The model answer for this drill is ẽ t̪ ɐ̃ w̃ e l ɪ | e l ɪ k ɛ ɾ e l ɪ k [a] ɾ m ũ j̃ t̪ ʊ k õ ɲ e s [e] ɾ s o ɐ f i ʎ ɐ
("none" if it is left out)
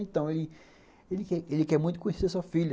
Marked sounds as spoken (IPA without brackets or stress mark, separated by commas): ɛ, e